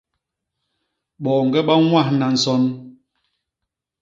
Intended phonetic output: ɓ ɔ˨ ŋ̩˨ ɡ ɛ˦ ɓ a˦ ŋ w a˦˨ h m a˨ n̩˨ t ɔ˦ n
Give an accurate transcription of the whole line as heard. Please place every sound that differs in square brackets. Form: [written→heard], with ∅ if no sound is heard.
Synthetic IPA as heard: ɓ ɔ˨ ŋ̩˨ ɡ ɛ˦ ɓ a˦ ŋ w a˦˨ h [m→n] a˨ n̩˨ [t→s] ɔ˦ n